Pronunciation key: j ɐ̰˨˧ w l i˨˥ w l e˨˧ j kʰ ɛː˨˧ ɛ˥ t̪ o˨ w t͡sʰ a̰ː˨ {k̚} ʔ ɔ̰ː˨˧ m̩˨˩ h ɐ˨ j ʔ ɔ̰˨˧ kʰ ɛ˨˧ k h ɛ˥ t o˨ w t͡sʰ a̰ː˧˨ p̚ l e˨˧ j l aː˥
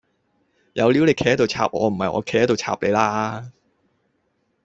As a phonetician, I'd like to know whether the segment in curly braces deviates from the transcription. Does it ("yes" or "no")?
yes